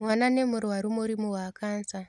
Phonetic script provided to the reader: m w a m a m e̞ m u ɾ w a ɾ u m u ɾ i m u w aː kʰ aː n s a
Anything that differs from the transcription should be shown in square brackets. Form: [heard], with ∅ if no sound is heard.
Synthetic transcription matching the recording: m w a [n] a [n] e̞ m u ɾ w a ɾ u m u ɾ i m u w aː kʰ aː n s a